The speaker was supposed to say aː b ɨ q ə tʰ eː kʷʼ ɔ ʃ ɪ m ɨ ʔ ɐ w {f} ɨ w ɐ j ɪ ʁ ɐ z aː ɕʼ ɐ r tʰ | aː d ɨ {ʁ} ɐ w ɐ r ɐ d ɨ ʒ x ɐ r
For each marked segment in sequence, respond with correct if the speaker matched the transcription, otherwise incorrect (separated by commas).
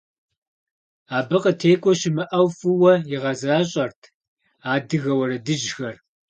correct, incorrect